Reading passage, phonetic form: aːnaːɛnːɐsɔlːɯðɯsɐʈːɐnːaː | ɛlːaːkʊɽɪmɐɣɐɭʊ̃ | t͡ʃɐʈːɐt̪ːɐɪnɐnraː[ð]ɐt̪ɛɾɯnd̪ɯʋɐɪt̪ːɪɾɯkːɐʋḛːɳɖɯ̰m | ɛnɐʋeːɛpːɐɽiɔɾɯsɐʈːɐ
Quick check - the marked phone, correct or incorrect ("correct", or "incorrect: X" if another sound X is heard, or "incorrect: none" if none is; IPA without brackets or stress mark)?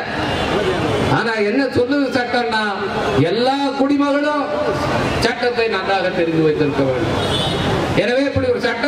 incorrect: ɣ